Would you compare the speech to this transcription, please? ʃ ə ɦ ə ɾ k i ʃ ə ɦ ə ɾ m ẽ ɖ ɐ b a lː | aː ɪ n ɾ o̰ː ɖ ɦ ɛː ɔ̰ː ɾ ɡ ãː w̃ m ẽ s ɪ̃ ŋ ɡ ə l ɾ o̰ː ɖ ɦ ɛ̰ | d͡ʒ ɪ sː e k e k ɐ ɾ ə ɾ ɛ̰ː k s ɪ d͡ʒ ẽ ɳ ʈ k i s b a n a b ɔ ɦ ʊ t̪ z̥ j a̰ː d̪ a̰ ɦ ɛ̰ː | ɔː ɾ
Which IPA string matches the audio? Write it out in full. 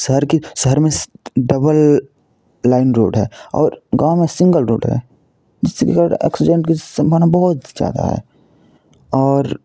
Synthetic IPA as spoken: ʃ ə ɦ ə ɾ k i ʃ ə ɦ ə ɾ m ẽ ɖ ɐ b ə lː | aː ɪ n ɾ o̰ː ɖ ɦ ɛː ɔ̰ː ɾ ɡ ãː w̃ m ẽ s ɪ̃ ŋ ɡ ə l ɾ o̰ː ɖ ɦ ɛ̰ | d͡ʒ ɪ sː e k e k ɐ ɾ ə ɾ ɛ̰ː k s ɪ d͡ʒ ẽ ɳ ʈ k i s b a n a b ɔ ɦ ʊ t̪ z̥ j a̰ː d̪ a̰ ɦ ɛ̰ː | ɔː ɾ